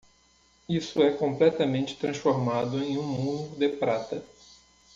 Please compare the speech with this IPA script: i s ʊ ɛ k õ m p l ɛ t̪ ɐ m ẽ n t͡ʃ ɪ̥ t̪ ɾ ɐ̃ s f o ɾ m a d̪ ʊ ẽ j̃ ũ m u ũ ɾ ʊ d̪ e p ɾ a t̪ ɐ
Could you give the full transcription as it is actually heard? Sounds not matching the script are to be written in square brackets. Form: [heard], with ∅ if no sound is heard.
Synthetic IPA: i s ʊ ɛ k õ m p l ɛ t̪ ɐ m ẽ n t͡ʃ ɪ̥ t̪ ɾ ɐ̃ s f o ɾ m a d̪ ʊ ẽ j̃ ũ m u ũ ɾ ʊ d̪ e p ɾ a t̪ ɐ